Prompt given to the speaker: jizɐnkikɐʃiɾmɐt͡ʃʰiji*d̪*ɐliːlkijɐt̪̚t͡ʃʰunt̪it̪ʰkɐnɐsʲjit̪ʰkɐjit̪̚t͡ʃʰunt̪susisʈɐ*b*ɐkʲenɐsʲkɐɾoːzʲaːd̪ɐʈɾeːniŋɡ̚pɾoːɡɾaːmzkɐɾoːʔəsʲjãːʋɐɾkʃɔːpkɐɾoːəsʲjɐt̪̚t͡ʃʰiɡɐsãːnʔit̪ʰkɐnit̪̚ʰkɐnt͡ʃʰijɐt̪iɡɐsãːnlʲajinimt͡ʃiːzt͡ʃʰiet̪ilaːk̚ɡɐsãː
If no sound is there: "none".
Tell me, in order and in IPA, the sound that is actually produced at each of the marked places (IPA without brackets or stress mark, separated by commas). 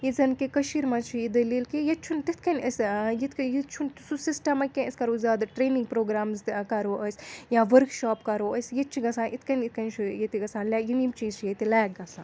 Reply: d̪, m